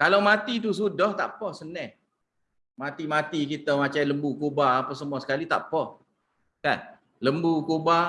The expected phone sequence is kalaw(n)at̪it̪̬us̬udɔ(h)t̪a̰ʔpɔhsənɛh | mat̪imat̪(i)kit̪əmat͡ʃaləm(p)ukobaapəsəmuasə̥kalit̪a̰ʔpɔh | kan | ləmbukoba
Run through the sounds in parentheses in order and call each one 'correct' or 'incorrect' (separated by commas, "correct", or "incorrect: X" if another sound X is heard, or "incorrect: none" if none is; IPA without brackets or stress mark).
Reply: incorrect: m, correct, correct, incorrect: b